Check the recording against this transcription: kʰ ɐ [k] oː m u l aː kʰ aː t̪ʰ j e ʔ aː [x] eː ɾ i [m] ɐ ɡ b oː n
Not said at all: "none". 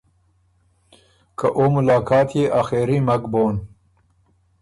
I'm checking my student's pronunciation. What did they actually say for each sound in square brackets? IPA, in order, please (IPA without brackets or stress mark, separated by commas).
ʔ, x, m